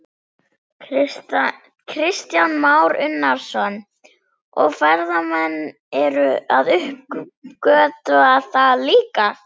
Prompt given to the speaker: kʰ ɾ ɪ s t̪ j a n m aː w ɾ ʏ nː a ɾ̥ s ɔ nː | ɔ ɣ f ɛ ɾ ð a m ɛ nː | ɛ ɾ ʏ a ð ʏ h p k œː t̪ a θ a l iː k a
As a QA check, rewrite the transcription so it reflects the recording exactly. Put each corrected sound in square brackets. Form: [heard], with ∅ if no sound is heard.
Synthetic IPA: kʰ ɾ ɪ s t̪ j a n m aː w ɾ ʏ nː a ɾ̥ s ɔ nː | ɔ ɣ f ɛ ɾ ð a m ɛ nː | ɛ ɾ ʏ a ð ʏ h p k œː t̪ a θ a l iː k a